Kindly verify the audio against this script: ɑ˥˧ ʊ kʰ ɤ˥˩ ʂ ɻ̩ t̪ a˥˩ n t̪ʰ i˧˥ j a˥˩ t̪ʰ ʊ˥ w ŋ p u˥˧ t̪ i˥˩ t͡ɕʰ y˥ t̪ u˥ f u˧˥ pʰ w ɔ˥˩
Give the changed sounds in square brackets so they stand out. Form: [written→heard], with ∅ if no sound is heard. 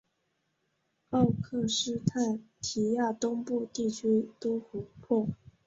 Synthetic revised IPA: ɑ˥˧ ʊ kʰ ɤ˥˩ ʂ ɻ̩ [t̪→t̪ʰ] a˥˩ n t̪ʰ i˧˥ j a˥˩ [t̪ʰ→t̪] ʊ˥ [w→∅] ŋ p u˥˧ t̪ i˥˩ t͡ɕʰ y˥ t̪ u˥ [f→x] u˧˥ pʰ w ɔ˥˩